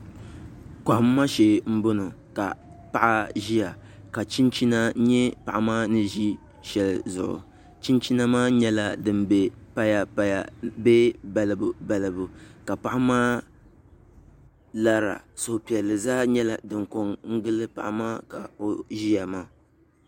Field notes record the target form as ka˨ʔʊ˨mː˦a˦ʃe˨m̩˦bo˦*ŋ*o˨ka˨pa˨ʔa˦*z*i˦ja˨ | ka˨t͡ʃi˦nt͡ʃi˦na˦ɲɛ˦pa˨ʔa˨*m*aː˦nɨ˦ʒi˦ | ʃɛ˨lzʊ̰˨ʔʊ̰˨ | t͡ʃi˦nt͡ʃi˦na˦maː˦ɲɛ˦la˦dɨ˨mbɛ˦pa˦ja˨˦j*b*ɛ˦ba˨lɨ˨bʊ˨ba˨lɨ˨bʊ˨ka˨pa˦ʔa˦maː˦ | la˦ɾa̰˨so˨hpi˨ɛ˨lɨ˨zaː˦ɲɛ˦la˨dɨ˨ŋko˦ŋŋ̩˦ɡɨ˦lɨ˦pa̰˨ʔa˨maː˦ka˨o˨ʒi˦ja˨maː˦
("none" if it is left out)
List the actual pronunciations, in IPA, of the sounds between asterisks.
n, ʒ, m, b

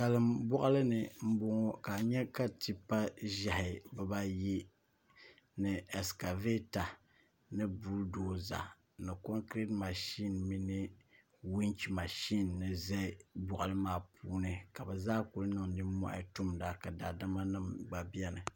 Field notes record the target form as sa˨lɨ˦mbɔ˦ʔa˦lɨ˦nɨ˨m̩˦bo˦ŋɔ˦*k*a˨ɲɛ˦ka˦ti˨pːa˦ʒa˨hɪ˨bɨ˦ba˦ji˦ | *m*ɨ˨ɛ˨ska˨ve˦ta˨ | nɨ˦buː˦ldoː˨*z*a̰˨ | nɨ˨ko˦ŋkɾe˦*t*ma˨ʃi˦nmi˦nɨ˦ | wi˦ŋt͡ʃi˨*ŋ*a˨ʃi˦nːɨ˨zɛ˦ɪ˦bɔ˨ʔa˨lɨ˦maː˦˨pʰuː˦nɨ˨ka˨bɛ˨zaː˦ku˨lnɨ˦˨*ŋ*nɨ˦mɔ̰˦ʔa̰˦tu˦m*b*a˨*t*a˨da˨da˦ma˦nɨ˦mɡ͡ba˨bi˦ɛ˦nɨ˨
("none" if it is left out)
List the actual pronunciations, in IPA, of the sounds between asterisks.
k, n, z, t, m, ŋ, d, k

